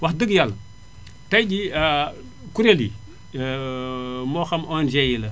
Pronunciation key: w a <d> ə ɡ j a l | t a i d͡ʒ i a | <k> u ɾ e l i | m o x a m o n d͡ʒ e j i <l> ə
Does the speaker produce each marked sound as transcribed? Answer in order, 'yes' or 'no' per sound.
yes, yes, yes

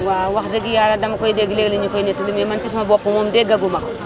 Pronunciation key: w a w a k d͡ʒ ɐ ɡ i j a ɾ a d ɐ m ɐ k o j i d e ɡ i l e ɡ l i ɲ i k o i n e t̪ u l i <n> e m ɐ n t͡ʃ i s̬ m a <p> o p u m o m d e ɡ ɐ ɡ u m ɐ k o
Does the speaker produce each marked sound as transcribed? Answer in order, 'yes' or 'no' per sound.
no, no

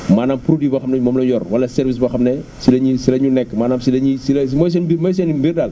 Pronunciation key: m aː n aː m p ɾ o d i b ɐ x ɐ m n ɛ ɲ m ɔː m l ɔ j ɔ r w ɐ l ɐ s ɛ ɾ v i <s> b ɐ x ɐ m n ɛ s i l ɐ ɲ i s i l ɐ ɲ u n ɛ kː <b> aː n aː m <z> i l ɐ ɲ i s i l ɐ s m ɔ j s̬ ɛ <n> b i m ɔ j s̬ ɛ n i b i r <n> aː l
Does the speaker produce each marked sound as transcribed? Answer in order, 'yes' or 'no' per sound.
yes, no, no, yes, no

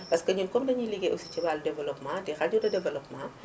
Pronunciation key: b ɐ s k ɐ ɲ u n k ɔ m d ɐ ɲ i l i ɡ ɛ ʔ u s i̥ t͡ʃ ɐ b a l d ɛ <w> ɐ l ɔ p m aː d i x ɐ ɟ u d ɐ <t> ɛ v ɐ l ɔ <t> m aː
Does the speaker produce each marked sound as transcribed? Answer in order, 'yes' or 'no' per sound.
no, no, no

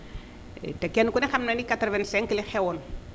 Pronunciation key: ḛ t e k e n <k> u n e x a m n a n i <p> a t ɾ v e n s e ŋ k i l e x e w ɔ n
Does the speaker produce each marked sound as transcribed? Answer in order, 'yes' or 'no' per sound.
yes, no

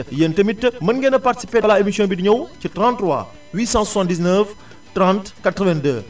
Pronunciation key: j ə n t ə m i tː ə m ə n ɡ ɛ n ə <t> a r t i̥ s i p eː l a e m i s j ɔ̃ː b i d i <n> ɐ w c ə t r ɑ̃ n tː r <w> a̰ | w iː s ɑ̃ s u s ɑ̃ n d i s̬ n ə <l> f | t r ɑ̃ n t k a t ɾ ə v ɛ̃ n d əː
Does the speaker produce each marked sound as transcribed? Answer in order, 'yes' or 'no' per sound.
no, no, yes, no

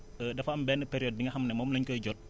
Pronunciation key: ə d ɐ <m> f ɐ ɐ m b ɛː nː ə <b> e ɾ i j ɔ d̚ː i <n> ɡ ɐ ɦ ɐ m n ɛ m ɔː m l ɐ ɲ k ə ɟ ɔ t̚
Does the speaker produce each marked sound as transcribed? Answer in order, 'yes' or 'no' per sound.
no, no, no

